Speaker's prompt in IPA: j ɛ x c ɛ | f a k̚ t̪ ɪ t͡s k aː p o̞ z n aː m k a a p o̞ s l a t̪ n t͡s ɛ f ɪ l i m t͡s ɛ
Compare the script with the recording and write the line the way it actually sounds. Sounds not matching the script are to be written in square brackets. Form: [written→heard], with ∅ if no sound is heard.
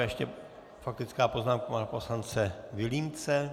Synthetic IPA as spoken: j ɛ [x→ʃ] c ɛ | f a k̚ t̪ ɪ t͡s k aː p o̞ z n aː m k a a p o̞ s l a [t̪→∅] n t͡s ɛ [f→v] ɪ l i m t͡s ɛ